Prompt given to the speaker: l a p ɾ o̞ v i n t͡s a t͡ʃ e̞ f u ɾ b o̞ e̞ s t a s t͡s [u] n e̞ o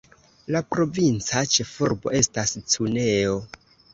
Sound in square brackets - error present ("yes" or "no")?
no